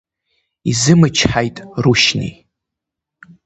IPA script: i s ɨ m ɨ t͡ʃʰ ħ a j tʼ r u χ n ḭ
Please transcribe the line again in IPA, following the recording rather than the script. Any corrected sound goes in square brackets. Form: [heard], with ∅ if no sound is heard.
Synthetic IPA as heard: i [z] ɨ m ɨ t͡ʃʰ ħ a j tʼ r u [ʃ] n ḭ